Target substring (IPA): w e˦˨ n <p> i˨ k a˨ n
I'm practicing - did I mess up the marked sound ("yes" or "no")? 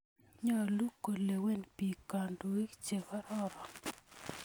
no